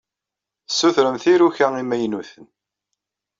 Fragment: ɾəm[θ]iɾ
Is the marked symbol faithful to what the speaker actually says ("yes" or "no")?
yes